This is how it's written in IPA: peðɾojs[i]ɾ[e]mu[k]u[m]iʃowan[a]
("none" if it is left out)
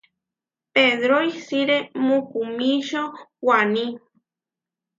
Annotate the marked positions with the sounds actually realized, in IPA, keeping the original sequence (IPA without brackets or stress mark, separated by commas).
i, e, k, m, i